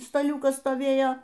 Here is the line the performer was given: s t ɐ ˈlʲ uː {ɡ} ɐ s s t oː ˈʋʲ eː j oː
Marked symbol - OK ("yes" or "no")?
no